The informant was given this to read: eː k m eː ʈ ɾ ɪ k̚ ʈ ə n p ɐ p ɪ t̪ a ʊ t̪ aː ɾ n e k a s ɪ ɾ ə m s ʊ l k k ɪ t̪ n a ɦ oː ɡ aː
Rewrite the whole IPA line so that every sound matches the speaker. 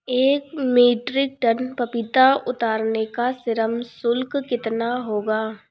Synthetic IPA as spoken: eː k m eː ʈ ɾ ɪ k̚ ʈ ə n p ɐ p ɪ t̪ a ʊ t̪ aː ɾ n e k a s ɪ ɾ ə m s ʊ l k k ɪ t̪ n a ɦ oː ɡ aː